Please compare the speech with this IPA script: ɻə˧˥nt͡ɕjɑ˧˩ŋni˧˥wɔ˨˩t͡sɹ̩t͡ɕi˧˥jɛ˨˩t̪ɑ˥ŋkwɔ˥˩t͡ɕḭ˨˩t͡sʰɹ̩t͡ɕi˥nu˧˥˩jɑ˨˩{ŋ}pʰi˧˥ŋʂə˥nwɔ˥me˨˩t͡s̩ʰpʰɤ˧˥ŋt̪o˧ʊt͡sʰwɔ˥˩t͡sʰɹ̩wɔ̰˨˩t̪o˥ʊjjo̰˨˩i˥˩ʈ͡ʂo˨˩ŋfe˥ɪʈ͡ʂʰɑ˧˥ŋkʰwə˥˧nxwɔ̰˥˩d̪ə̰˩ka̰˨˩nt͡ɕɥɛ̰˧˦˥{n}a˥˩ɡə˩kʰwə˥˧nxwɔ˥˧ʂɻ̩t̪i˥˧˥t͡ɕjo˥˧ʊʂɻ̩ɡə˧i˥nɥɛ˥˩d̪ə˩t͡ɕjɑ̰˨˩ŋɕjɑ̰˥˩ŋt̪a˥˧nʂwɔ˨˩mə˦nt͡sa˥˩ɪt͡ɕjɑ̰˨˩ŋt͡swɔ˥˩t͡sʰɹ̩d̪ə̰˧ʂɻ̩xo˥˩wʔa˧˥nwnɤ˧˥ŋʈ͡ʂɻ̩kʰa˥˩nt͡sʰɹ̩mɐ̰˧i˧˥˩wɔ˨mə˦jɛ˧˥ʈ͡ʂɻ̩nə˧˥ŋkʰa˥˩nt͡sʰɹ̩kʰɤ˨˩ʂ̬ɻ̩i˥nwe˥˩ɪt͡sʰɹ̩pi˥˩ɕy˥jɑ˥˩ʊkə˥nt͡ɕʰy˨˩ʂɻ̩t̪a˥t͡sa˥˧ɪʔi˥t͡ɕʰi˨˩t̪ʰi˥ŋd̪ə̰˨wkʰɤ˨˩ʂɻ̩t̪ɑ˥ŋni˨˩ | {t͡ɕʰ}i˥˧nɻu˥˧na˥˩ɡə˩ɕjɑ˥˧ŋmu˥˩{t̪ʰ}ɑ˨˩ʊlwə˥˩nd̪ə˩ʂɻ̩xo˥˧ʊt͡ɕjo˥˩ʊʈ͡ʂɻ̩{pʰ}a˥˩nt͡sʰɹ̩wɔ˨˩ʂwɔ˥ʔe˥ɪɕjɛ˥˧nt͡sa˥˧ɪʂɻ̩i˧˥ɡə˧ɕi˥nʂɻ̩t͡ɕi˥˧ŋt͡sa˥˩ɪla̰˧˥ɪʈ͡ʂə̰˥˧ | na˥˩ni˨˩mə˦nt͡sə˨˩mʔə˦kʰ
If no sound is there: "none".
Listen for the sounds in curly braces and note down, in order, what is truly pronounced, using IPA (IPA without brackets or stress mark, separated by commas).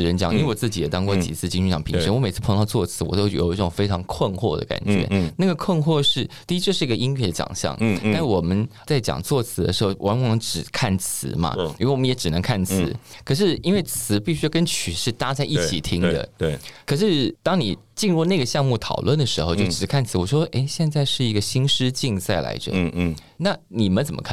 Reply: ŋ, n, t͡ɕ, t̪ʰ, kʰ